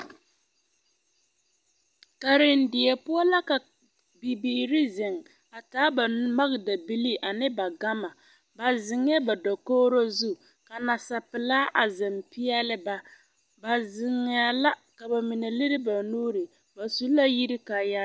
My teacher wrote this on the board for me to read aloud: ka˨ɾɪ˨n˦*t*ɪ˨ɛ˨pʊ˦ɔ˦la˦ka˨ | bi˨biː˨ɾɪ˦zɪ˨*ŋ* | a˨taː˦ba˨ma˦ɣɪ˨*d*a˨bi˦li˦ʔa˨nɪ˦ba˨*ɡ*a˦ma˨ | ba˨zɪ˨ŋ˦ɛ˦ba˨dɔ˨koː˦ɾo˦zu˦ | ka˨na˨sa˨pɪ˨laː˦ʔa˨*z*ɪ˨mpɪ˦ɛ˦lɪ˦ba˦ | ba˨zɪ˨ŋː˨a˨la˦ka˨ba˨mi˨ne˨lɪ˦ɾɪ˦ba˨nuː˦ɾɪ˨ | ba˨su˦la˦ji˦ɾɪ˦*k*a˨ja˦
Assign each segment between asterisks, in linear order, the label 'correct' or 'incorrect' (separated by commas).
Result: incorrect, correct, correct, correct, correct, correct